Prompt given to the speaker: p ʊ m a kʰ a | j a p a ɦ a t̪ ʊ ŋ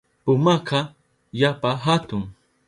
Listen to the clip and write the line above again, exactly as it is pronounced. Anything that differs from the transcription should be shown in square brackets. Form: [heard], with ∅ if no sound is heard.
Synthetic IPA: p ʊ m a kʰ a | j a p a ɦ a t̪ ʊ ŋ